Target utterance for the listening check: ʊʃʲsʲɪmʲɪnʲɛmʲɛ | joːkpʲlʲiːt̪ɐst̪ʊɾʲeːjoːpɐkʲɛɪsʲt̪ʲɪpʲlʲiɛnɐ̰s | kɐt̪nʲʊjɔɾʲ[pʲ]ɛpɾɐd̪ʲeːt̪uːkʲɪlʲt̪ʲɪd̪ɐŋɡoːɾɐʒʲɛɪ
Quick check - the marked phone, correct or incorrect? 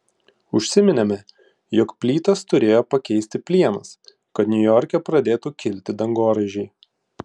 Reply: incorrect